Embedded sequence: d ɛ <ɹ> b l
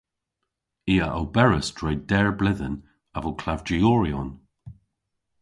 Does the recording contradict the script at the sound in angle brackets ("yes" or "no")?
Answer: no